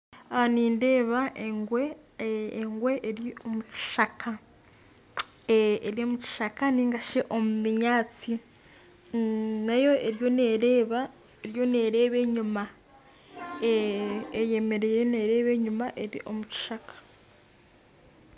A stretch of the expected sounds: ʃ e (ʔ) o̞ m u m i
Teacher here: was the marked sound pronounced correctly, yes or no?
yes